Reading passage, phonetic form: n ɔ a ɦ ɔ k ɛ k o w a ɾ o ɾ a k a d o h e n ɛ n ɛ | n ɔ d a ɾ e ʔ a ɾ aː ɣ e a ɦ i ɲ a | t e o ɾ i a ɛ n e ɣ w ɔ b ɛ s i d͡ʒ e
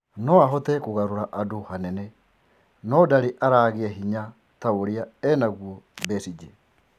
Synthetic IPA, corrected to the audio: n ɔ a ɦ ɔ t ɛ k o ɣ a ɾ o ɾ a ʔ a d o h a n ɛ n ɛ | n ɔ d a ɾ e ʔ a ɾ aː ɣ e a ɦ i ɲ a | t a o ɾ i a ɛ n a ɣ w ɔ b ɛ s i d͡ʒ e